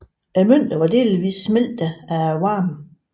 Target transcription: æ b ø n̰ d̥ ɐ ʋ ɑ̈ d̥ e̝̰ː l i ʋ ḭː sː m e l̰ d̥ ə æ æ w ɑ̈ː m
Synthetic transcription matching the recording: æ m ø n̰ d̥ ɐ ʋ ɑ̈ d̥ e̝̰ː l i ʋ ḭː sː m e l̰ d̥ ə æ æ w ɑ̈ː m